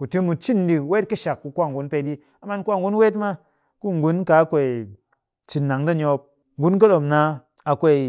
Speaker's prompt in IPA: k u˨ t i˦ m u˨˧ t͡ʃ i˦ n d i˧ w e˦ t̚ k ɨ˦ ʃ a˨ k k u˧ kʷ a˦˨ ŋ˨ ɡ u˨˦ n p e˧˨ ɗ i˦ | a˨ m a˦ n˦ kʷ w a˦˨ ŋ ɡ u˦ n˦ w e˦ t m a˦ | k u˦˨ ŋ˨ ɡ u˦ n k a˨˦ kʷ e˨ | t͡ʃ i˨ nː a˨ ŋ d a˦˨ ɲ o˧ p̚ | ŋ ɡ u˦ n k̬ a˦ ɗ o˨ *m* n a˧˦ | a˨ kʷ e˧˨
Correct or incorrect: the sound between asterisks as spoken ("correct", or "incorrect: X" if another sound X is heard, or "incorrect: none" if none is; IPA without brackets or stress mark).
correct